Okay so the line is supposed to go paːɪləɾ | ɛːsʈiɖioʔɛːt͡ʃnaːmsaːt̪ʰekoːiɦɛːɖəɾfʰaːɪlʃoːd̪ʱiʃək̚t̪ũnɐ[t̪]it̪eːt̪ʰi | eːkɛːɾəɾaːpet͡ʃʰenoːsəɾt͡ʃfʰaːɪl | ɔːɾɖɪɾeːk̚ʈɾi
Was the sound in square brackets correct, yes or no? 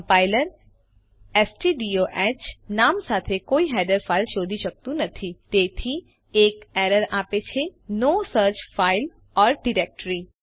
no